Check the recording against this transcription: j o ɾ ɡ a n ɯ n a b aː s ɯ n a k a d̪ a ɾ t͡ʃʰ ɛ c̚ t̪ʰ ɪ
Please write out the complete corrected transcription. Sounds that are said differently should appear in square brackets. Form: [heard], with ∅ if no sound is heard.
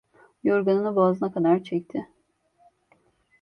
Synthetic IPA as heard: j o ɾ ɡ a n ɯ n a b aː [z] ɯ n a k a d̪ a ɾ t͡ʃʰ ɛ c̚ t̪ʰ ɪ